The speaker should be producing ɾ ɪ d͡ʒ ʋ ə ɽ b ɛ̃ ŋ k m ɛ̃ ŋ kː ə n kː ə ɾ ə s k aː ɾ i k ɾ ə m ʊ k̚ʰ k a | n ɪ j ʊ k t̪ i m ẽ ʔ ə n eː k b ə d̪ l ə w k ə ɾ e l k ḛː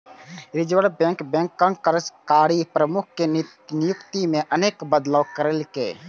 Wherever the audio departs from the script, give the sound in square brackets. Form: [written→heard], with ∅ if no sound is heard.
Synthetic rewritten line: ɾ ɪ d͡ʒ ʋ ə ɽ b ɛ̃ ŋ k [m→b] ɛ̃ ŋ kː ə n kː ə ɾ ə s k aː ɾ i [k→p] ɾ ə m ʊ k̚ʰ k [a→e] | n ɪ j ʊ k t̪ i m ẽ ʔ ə n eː k b ə d̪ l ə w k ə ɾ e l k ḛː